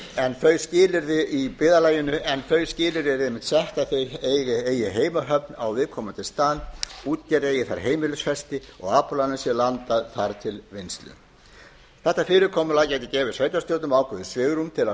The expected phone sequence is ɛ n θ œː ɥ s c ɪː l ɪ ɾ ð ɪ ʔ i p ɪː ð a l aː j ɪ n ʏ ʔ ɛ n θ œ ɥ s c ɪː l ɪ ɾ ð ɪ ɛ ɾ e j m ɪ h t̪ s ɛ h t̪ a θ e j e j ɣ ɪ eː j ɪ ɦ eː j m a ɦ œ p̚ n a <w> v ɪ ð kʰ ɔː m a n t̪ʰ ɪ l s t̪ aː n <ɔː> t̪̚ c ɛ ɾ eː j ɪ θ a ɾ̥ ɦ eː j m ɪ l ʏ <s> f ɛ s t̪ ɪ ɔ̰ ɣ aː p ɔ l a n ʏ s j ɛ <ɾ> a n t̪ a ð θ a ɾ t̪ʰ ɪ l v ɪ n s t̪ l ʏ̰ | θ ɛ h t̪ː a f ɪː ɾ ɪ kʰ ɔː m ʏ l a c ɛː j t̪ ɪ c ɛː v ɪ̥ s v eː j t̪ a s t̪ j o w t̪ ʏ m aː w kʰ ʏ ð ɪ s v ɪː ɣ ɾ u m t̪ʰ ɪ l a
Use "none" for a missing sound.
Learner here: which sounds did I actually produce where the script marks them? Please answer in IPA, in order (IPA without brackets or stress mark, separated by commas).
w, uː, s, l